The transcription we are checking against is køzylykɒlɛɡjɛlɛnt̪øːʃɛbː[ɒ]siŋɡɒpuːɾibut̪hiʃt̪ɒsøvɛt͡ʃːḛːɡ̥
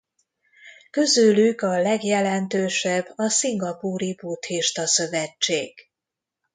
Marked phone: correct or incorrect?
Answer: correct